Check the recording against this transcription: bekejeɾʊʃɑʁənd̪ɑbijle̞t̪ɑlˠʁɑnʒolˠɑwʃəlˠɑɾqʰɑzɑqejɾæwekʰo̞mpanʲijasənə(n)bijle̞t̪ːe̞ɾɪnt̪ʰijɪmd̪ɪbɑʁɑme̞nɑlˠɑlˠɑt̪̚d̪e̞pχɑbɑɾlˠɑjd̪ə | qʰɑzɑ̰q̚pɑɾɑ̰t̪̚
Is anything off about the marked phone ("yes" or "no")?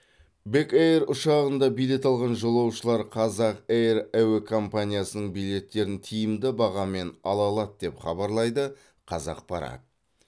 yes